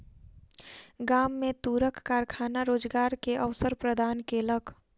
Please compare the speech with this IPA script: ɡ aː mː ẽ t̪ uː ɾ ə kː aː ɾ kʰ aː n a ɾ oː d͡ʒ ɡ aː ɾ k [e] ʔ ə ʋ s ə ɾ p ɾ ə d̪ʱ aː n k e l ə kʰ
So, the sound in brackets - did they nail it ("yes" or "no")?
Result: yes